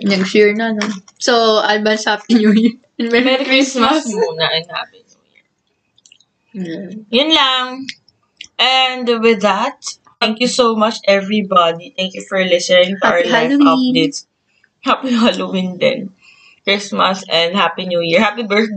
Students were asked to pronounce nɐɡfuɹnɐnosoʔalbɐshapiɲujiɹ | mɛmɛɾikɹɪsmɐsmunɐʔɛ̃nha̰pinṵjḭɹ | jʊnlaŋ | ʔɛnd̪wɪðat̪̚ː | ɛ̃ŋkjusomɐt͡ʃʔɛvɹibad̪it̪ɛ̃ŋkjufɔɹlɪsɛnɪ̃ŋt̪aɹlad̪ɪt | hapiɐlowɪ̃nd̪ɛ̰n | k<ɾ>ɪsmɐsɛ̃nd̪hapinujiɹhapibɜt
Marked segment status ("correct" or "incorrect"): incorrect